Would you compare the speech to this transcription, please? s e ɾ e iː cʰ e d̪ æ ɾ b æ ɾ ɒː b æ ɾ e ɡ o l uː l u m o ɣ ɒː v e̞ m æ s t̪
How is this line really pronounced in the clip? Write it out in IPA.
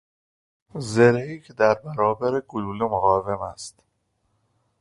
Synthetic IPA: z e ɾ e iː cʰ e d̪ æ ɾ b æ ɾ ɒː b æ ɾ e ɡ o l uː l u m o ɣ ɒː v e̞ m æ s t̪